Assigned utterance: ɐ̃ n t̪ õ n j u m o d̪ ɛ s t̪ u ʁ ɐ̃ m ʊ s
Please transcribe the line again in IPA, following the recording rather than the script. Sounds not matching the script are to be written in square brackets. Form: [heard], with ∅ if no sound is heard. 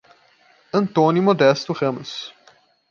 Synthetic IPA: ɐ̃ n t̪ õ n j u m o d̪ ɛ s t̪ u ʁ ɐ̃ m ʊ s